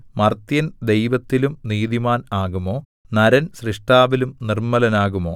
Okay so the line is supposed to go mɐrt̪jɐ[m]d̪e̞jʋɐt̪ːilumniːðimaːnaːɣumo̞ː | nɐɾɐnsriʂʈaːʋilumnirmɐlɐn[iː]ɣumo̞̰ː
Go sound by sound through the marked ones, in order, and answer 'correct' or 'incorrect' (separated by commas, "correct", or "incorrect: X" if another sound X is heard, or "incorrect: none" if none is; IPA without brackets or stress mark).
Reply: incorrect: n, incorrect: aː